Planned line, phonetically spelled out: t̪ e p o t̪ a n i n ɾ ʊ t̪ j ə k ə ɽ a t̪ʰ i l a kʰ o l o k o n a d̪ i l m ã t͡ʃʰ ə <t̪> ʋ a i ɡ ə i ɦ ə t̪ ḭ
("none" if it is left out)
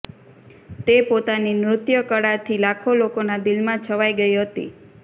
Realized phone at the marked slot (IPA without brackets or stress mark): none